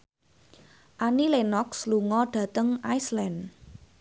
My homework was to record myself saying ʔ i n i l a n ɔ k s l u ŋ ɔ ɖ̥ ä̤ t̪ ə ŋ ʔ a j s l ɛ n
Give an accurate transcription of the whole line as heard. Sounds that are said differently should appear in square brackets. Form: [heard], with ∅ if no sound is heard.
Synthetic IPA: ʔ [a] n i l [e] n ɔ k s l u ŋ ɔ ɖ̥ ä̤ t̪ ə ŋ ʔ a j s l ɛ n